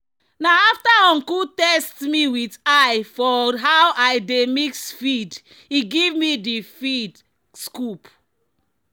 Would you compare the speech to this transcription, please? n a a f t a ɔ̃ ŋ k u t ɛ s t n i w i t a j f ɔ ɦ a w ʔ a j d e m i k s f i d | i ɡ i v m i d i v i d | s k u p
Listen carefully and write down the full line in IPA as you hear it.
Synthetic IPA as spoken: n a a f t a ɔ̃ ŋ k u t ɛ s t m i w i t a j f ɔ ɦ a w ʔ a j d e m i k s f i d | i ɡ i v m i d i f i d | s k u p